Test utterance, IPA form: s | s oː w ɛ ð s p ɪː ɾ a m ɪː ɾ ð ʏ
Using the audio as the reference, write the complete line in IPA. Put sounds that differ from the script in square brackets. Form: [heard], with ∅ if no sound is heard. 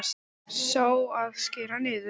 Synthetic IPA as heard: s | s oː w [a] ð s [c] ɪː ɾ a [n] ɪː [∅] ð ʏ